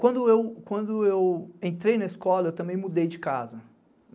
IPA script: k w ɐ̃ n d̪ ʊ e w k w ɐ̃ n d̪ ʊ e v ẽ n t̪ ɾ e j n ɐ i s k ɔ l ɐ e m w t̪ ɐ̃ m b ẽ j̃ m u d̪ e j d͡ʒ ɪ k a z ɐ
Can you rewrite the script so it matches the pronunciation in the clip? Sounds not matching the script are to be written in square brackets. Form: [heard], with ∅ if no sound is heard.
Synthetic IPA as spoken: k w ɐ̃ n d̪ ʊ e w k w ɐ̃ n d̪ ʊ e [w] ẽ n t̪ ɾ e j n ɐ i s k ɔ l ɐ e [∅] w t̪ ɐ̃ m b ẽ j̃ m u d̪ e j d͡ʒ ɪ k a z ɐ